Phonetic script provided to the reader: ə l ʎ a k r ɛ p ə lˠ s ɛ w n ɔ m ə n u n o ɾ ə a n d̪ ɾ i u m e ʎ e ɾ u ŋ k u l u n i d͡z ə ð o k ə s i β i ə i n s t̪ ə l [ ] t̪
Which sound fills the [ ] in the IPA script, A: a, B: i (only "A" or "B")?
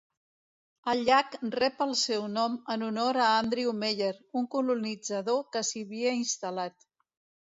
A